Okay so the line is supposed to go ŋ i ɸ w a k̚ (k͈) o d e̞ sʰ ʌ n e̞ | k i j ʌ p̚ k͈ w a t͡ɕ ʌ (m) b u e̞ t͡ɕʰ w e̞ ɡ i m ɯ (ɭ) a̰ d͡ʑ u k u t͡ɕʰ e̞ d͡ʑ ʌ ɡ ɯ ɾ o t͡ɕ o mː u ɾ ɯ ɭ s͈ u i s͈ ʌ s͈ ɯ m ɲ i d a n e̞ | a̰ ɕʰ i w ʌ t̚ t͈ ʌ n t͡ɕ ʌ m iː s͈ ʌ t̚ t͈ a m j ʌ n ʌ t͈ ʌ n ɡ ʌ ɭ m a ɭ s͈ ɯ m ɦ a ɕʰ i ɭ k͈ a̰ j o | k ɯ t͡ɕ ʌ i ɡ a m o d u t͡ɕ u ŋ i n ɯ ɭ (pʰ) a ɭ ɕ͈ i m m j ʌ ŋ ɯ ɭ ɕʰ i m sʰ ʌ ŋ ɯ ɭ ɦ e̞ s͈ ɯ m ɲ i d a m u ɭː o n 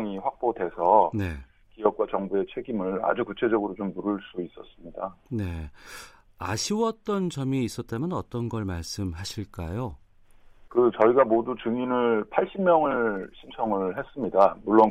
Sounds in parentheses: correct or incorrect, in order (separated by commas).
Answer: incorrect, incorrect, correct, correct